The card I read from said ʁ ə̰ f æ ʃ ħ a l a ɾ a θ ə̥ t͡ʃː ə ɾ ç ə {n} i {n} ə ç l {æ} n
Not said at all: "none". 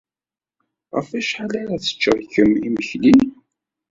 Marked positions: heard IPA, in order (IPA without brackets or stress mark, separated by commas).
m, m, i